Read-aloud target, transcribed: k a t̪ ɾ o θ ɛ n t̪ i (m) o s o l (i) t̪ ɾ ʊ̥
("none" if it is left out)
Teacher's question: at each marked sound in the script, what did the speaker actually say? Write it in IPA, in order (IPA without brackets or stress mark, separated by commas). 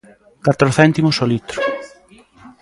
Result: m, i